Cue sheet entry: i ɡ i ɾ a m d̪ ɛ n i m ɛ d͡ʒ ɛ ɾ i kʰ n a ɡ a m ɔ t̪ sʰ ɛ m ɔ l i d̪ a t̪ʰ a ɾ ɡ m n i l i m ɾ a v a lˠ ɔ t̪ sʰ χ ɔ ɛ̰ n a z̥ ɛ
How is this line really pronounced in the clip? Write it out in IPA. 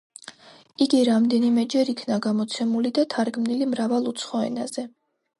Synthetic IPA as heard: i ɡ i ɾ a m d̪ ɛ n i m ɛ d͡ʒ ɛ ɾ i kʰ n a ɡ a m ɔ t̪ sʰ ɛ m u l i d̪ a t̪ʰ a ɾ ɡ m n i l i m ɾ a v a lˠ u t̪ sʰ χ ɔ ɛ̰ n a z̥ ɛ